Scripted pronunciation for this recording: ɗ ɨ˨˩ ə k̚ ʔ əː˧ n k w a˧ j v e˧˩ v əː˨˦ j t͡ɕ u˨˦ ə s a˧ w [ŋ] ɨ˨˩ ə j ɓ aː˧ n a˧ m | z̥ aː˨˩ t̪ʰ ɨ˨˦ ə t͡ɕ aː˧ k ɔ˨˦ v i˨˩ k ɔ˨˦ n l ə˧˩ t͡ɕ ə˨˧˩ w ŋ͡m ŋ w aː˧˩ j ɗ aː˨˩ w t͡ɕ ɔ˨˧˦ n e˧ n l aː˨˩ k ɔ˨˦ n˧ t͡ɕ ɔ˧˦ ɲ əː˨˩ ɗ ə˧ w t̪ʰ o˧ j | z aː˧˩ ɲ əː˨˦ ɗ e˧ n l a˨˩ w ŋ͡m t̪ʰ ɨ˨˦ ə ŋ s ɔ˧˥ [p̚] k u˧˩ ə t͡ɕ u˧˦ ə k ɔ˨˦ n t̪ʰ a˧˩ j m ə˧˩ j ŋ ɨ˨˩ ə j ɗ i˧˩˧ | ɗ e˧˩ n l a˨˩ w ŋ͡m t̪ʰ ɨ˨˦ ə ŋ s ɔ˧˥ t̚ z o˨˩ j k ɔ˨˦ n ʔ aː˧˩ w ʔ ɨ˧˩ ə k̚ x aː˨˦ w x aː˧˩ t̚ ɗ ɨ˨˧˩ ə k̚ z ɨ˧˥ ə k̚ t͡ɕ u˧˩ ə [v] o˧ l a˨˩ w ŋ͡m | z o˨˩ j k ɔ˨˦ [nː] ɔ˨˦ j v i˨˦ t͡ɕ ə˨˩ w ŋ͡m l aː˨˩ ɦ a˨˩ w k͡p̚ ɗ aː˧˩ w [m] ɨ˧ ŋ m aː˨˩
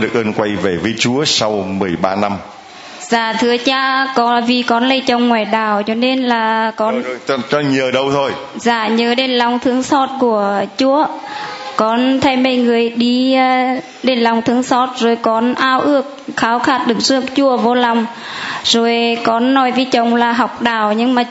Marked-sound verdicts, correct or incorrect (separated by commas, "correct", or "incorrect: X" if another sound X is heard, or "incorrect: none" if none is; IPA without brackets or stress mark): incorrect: m, incorrect: t̚, correct, correct, incorrect: ɲ